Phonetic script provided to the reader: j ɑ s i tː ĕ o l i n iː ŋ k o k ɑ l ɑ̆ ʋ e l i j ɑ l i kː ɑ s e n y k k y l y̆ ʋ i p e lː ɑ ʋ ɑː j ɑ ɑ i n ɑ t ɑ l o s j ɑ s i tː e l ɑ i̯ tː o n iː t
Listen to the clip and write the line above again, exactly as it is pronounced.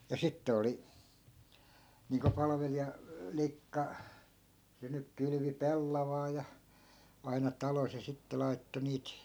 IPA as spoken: j ɑ s i tː ĕ o l i n iː ŋ k o p ɑ l ɑ̆ ʋ e l i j ɑ l i kː ɑ s e n y k k y l y̆ ʋ i p e lː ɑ ʋ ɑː j ɑ ɑ i n ɑ t ɑ l o s j ɑ s i tː e l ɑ i̯ tː o n iː t